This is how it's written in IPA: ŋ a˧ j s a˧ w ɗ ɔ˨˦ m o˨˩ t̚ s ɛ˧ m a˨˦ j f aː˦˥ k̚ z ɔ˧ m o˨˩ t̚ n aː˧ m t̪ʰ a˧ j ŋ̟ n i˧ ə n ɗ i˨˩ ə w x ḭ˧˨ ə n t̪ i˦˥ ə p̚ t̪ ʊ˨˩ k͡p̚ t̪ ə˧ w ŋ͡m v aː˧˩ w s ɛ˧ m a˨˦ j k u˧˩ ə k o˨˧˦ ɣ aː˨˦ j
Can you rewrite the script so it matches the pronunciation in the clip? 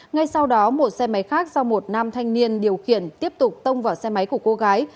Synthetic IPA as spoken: ŋ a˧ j s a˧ w ɗ ɔ˨˦ m o˨˩ t̚ s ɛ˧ m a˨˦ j x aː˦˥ k̚ z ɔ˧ m o˨˩ t̚ n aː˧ m t̪ʰ a˧ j ŋ̟ n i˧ ə n ɗ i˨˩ ə w x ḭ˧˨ ə n t̪ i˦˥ ə p̚ t̪ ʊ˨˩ k͡p̚ t̪ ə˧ w ŋ͡m v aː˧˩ w s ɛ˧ m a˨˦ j k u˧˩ ə k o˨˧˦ ɣ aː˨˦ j